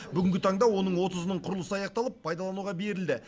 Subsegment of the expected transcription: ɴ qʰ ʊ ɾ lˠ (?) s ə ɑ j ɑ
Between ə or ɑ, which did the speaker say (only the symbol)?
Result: ə